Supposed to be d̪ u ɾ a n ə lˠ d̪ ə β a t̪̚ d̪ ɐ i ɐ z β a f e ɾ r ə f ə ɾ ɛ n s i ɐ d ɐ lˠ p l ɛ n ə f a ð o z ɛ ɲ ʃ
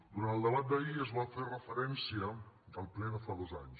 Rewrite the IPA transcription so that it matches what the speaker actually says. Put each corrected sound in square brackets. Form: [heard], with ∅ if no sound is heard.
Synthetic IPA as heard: d̪ u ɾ a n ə lˠ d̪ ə β a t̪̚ d̪ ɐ i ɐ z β a f e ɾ r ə f ə ɾ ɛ n s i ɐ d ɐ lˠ p l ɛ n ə f a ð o z [a] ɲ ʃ